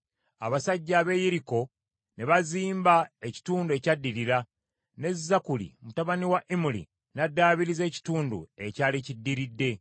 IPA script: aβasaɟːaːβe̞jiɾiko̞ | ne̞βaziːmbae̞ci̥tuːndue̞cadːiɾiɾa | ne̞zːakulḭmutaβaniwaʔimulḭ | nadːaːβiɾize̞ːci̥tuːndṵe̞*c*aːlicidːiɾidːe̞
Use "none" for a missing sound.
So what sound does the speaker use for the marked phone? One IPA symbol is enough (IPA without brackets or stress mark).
c